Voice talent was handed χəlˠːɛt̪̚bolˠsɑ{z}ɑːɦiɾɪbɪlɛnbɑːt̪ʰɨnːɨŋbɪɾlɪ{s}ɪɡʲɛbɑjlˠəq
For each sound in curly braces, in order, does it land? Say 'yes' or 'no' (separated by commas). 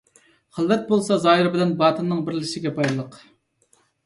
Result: yes, no